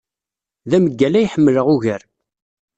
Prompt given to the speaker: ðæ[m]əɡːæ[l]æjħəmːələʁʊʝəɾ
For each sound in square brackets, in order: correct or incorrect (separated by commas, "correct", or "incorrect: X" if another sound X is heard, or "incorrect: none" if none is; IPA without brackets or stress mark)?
correct, correct